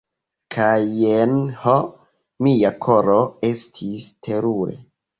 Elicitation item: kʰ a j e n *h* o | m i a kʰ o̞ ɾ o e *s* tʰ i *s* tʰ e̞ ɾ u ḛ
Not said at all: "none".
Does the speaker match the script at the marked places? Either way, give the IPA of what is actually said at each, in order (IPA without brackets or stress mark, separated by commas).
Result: h, s, s